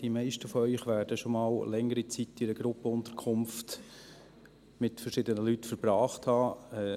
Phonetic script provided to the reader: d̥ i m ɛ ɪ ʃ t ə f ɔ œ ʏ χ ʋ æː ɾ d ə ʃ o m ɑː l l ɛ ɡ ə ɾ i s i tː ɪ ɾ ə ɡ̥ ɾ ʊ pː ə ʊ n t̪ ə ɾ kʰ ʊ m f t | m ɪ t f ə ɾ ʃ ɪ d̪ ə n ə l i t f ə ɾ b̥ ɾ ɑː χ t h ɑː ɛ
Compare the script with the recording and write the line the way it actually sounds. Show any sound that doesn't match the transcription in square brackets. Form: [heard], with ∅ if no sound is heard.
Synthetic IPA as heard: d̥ i m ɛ ɪ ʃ t ə f ɔ œ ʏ χ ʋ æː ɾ d ə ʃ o m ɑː l l ɛ [ŋ] ə ɾ i [t͡s] i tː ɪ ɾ ə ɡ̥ ɾ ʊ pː ə ʊ n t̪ ə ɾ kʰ ʊ m f t | m ɪ t f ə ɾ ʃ ɪ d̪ ə n ə l [y] t f ə ɾ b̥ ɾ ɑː χ t h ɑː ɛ

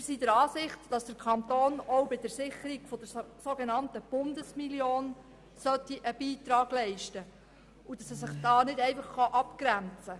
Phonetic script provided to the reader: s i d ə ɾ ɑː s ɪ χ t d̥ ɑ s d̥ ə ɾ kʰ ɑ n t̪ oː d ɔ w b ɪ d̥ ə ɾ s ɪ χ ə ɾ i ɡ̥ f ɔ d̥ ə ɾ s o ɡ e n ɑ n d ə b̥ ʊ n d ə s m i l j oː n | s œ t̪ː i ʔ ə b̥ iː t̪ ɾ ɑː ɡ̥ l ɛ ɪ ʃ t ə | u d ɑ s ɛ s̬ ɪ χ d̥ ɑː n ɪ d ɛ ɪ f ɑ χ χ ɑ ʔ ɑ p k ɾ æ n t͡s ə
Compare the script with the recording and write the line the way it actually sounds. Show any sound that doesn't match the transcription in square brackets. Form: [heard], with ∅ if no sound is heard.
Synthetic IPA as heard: s i d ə ɾ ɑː s ɪ χ t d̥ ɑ s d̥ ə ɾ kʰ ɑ n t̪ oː [n] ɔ w b ɪ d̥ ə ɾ s ɪ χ ə ɾ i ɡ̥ f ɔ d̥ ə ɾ s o ɡ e n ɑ n [t] ə b̥ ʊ n d ə s m i l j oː n | s œ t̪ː i ʔ ə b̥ iː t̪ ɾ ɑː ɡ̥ l ɛ ɪ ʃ t ə | u d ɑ s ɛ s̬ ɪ χ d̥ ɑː n ɪ d ɛ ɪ f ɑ χ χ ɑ ʔ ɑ p k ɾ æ n t͡s ə

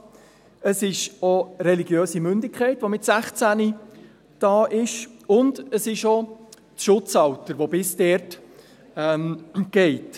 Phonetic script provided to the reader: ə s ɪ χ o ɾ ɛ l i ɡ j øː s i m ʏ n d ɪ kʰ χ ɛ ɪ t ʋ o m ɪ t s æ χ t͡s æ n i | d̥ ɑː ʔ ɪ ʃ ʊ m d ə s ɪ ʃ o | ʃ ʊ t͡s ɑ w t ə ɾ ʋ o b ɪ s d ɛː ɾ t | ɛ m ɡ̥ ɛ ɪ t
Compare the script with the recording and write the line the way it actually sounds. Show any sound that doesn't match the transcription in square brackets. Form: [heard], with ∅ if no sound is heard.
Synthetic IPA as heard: ə s ɪ [ʃ] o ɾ ɛ l i ɡ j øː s i m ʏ n d ɪ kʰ χ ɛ ɪ t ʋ o m ɪ t s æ χ t͡s æ n i | d̥ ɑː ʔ ɪ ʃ ʊ [n] d ə s ɪ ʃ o | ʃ ʊ t͡s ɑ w t ə ɾ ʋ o b ɪ s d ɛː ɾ t | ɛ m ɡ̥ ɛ ɪ t

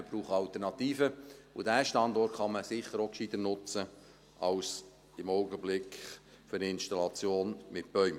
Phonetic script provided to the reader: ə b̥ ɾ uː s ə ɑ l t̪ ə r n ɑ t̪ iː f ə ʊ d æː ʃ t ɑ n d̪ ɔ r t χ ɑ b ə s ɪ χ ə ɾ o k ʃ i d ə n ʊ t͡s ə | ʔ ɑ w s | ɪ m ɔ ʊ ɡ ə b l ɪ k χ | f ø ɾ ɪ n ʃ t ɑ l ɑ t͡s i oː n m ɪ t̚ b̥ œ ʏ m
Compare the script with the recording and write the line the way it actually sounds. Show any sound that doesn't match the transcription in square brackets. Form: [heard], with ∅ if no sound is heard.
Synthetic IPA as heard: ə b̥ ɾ uː [χ] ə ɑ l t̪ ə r n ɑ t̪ iː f ə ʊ d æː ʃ t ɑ n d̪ ɔ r t χ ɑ [m] ə s ɪ χ ə ɾ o k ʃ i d ə n ʊ t͡s ə | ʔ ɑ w s | ɪ m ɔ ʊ ɡ ə b l ɪ k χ | f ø ɾ ɪ n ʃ t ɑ l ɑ t͡s [j] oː n m ɪ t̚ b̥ œ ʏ m

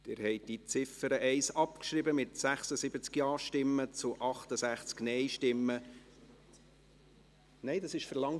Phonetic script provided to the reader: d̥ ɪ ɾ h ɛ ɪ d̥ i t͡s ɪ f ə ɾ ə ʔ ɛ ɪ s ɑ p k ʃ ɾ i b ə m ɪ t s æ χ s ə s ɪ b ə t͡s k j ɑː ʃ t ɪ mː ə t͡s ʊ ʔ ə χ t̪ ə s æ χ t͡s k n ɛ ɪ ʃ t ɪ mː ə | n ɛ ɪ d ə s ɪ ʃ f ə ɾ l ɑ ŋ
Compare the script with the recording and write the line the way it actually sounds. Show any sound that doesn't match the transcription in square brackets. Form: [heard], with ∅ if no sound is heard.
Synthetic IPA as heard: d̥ ɪ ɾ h ɛ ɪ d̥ i t͡s ɪ f ə ɾ ə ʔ ɛ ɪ s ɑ p k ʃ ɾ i b ə m ɪ t s æ χ s ə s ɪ b ə t͡s k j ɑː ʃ t ɪ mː ə t͡s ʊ ʔ [ɑ] χ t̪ ə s æ χ t͡s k n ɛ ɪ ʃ t ɪ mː ə | n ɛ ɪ d [ɑ] s ɪ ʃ f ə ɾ l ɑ ŋ

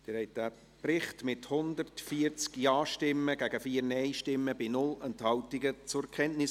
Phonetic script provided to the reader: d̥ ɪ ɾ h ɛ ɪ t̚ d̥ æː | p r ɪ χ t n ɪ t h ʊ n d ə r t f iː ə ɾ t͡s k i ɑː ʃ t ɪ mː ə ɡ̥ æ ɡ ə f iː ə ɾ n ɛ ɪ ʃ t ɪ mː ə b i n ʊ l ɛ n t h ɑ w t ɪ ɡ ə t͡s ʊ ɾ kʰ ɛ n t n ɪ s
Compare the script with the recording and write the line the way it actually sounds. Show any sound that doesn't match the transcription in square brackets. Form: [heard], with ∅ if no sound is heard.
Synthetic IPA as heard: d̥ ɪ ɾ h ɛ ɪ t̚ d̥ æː | p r ɪ χ t [m] ɪ t h ʊ n d ə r t f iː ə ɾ t͡s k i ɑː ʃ t ɪ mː ə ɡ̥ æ ɡ ə f iː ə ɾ n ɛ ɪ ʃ t ɪ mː ə b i n ʊ l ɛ n t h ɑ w t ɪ ɡ ə t͡s ʊ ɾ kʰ ɛ n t n ɪ s

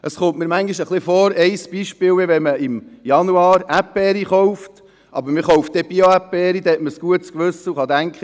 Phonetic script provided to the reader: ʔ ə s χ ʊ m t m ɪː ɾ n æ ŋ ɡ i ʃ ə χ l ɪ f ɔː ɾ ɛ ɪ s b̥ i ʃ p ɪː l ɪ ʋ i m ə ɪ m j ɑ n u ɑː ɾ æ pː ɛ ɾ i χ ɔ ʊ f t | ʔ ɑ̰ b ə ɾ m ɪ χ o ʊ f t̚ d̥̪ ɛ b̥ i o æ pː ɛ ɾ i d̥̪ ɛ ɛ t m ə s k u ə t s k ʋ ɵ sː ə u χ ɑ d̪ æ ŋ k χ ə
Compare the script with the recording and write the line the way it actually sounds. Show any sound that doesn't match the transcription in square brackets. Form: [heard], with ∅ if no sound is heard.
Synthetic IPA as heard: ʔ ə s χ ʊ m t m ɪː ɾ [m] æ ŋ ɡ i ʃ ə χ l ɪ f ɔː ɾ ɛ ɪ s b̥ i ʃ p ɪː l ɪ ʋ [ɛ] m ə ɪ m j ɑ n u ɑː ɾ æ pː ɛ ɾ i χ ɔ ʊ f t | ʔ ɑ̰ b ə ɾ m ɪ χ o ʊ f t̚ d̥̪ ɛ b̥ i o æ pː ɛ ɾ i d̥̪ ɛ ɛ t m ə s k u ə t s k ʋ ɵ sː ə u χ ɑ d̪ æ ŋ k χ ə

